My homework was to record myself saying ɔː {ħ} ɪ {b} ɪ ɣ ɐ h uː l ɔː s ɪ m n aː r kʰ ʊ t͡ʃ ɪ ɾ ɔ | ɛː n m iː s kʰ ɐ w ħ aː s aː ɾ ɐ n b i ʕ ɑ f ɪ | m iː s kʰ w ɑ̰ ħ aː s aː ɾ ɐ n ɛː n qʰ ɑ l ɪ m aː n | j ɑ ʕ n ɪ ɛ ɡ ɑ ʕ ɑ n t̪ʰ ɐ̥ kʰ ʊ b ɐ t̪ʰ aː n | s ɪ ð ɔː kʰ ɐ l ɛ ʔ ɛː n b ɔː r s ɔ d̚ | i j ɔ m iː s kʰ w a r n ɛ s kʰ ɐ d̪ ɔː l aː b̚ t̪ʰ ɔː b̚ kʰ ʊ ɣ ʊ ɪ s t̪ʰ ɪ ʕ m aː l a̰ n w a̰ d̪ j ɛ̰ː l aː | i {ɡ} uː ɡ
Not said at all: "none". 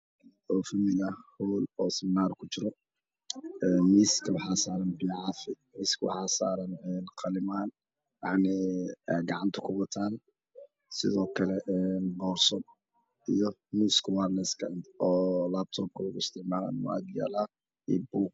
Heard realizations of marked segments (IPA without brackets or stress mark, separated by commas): f, m, b